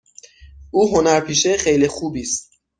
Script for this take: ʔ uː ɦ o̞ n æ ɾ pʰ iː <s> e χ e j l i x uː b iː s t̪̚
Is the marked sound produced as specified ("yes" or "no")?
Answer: no